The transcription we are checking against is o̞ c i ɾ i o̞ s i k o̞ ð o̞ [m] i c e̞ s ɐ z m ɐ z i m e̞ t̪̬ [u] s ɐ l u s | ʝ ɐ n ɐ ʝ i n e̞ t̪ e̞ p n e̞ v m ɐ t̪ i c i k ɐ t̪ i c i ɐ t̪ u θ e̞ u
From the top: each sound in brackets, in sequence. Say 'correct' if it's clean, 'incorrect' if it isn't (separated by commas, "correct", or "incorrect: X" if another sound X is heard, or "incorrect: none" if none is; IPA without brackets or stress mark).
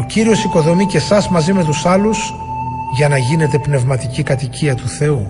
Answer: correct, correct